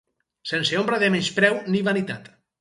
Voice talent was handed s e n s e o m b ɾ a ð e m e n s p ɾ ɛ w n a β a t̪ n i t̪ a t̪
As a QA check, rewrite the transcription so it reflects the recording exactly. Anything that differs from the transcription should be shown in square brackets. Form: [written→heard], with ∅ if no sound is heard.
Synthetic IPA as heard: s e n s e o m b ɾ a ð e m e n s p ɾ ɛ w n [a→i] β a [t̪→∅] n i t̪ a t̪